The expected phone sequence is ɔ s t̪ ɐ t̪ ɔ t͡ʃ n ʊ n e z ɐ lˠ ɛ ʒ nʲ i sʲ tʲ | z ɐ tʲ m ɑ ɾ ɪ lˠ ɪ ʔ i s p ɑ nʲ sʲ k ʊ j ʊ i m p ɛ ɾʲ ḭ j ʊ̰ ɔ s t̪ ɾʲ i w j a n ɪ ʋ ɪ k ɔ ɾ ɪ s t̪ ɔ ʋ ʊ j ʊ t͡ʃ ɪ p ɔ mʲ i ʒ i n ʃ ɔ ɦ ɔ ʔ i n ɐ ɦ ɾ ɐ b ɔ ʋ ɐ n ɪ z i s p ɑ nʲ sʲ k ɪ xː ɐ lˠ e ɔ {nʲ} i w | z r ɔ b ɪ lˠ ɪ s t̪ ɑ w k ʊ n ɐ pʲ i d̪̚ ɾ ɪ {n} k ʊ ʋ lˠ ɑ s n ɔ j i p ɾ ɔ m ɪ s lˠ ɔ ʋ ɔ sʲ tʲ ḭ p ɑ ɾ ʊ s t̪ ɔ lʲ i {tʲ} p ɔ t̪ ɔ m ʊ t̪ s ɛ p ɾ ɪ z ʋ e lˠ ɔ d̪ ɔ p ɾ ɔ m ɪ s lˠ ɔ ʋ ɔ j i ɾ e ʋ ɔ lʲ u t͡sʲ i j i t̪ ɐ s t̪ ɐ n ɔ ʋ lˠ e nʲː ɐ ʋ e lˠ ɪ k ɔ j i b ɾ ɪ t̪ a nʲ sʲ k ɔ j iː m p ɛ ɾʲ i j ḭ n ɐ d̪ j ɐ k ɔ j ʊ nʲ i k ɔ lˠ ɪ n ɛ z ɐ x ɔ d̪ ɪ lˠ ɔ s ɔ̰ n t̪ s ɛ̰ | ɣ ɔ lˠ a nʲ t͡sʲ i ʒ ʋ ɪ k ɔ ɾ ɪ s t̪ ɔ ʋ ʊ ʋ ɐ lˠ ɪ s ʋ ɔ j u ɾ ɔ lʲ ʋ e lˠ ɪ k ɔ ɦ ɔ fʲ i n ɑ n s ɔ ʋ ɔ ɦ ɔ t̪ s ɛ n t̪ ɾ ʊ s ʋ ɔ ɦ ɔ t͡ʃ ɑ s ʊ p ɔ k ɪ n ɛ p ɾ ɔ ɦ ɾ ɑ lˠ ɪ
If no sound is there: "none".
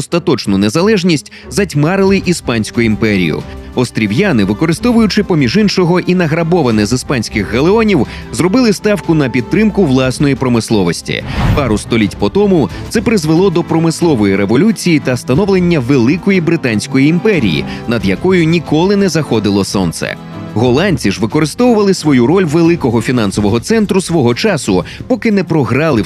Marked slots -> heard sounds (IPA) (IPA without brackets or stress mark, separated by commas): nʲ, m, tʲ